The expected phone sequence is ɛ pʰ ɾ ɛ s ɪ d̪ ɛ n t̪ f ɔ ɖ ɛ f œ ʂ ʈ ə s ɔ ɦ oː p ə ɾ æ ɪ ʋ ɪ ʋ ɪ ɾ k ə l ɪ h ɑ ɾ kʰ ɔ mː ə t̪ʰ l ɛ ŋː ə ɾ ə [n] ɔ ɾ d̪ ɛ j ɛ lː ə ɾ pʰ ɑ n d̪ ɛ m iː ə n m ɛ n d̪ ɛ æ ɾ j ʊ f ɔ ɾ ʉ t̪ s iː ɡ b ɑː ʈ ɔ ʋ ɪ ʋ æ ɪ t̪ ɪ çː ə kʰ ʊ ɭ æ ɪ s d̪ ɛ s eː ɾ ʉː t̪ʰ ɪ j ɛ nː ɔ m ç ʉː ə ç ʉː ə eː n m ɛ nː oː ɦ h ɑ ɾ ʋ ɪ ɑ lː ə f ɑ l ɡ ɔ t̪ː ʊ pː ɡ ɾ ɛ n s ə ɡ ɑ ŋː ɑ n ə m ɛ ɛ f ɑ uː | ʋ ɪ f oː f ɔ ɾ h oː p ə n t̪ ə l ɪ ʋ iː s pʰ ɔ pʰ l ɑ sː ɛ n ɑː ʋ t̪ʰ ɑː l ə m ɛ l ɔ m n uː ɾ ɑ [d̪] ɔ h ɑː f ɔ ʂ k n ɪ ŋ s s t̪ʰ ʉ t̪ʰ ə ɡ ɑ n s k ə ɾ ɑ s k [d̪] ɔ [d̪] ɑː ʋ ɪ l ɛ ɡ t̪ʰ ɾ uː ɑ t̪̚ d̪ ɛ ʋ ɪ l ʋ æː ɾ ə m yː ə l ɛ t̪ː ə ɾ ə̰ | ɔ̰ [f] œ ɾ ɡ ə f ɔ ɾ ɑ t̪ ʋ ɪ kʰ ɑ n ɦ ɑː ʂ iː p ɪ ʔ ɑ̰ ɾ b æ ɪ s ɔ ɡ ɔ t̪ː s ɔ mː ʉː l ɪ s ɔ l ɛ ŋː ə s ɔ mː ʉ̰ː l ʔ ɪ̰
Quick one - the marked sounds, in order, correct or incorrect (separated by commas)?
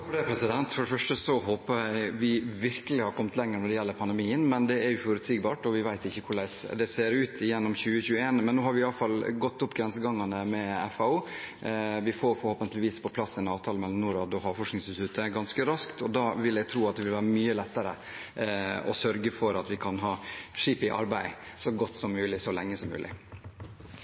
correct, correct, incorrect, correct, incorrect